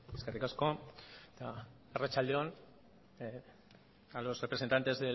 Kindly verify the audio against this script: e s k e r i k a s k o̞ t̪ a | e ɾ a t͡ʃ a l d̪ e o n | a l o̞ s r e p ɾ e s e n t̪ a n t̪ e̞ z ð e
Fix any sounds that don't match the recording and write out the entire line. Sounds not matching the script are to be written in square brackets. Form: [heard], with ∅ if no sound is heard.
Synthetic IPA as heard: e s k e r i k a s k o̞ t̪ a | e [r] a t͡ʃ a l d̪ e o n | a l o̞ s r e p ɾ e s e n t̪ a n t̪ e̞ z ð e